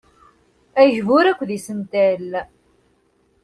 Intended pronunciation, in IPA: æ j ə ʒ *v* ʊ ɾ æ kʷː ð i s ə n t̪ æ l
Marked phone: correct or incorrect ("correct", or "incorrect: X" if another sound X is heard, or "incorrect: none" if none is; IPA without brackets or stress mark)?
correct